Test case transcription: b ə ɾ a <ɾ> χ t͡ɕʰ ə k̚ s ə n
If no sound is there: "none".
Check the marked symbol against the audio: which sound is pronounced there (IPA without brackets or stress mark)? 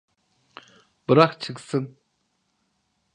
none